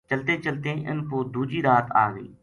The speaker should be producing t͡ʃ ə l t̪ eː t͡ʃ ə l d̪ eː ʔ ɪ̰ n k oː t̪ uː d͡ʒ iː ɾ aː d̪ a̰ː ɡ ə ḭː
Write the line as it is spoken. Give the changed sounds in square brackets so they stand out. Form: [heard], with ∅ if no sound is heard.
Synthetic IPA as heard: t͡ʃ ə l t̪ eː t͡ʃ ə l [t̪] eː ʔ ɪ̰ n k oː [d̪] uː d͡ʒ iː ɾ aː [t̪] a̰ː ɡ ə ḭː